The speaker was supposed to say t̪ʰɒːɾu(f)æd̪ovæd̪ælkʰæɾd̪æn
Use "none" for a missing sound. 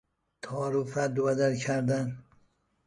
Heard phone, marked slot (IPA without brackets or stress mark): f